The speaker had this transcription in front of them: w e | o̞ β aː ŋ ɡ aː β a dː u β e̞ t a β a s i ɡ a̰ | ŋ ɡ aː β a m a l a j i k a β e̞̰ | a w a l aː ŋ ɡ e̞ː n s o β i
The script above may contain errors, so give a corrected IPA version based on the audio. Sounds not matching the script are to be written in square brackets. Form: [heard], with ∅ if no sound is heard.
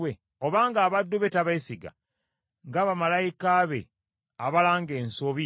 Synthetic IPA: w e | o̞ β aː ŋ ɡ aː β a dː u β e̞ t a β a s i ɡ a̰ | ŋ ɡ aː β a m a l a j i k a β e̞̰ | a [β] a l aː ŋ ɡ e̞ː n s o β i